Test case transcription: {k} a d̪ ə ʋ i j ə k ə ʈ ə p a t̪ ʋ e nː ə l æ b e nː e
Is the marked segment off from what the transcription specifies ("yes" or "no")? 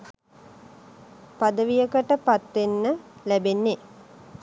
yes